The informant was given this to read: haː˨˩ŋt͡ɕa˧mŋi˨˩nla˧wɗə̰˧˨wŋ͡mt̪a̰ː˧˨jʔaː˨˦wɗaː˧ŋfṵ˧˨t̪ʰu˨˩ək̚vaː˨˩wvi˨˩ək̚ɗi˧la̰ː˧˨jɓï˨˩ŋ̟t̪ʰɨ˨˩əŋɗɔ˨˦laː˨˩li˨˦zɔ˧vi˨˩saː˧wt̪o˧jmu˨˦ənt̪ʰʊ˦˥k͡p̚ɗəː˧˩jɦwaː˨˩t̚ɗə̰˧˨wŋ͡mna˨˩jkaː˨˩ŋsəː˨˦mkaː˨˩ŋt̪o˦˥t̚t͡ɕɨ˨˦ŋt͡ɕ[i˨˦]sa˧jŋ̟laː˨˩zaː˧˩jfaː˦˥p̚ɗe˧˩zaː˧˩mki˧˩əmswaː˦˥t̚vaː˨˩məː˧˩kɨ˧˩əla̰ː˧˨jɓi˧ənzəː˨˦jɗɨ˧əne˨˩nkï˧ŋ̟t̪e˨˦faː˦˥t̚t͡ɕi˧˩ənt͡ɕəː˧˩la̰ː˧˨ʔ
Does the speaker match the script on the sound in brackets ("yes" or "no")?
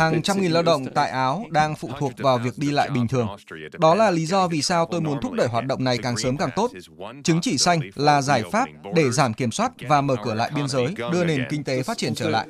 no